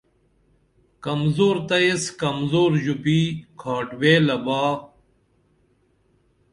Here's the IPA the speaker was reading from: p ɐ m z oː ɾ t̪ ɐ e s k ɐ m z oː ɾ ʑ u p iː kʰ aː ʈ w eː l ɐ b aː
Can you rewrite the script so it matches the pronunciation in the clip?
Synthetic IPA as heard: k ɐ m z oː ɾ t̪ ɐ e s k ɐ m z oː ɾ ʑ u p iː kʰ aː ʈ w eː l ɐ b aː